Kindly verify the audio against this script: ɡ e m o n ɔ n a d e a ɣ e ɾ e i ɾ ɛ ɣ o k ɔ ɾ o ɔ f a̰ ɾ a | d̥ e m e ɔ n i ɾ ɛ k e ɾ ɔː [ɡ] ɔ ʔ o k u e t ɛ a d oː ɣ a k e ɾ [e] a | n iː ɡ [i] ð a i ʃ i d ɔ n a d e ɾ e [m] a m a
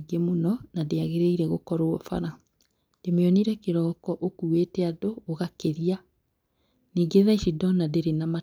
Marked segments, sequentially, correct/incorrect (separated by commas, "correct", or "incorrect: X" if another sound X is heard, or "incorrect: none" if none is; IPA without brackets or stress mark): incorrect: k, incorrect: i, incorrect: e, incorrect: n